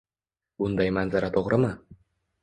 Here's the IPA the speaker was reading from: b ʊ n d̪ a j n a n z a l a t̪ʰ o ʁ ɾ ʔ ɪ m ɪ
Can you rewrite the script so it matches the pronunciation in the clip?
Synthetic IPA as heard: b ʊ n d̪ a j m a n z a ɾ a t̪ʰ o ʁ ɾ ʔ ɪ m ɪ